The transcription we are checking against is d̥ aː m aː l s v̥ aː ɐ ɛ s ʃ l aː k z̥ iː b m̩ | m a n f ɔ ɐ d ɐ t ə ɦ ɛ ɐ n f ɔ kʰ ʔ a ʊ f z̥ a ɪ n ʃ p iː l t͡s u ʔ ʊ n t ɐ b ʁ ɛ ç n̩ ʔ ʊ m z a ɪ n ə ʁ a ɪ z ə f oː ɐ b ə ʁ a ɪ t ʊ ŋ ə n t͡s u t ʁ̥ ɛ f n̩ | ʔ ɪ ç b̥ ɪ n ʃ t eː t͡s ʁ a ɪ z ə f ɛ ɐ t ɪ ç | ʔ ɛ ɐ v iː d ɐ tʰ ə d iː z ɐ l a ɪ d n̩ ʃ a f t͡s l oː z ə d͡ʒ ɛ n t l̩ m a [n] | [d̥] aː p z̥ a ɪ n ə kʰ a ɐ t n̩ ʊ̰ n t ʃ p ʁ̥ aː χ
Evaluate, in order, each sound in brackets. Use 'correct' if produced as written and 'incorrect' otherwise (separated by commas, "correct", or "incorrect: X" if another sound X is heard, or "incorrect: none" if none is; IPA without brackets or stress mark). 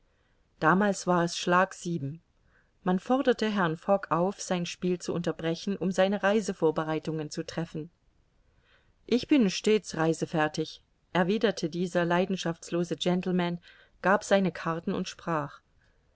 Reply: correct, incorrect: ɡ̥